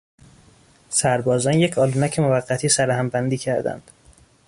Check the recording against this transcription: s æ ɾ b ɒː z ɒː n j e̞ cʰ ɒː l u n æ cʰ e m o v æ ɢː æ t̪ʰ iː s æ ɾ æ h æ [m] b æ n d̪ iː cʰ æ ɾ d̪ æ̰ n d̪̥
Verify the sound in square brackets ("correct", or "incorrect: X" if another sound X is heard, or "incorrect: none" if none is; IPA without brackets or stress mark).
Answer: correct